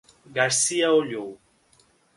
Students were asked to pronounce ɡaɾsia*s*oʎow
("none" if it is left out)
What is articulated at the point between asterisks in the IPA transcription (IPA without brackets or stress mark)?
none